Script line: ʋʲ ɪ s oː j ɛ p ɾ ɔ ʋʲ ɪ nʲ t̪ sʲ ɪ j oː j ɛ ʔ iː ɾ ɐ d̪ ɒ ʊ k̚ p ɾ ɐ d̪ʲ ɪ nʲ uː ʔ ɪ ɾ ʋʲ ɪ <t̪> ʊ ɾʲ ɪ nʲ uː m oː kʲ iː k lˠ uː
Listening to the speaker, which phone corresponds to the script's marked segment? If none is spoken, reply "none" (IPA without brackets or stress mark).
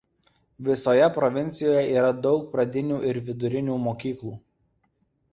d̪